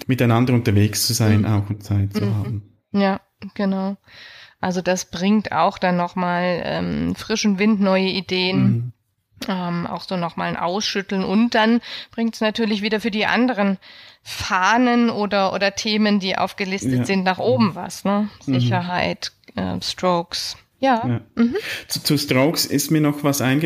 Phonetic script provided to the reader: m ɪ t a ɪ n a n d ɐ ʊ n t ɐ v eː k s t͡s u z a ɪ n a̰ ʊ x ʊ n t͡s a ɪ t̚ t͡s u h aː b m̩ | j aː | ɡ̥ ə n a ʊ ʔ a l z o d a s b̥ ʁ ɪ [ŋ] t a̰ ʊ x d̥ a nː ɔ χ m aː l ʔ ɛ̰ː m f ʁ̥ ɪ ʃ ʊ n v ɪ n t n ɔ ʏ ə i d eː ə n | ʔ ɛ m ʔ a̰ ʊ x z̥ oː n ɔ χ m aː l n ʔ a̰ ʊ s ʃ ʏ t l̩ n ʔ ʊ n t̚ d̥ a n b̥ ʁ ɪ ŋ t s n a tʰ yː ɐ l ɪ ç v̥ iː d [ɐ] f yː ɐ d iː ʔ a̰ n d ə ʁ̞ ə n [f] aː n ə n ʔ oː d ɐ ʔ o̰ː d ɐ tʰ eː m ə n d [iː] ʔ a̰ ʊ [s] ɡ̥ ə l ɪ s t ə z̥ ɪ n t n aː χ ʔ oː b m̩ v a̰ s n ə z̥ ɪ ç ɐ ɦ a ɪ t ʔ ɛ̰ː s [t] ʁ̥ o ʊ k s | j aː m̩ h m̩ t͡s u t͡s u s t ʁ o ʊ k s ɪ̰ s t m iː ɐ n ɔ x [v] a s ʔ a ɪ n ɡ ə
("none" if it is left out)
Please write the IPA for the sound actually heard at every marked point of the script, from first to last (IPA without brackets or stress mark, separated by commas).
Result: ŋ, ɐ, f, iː, f, t, v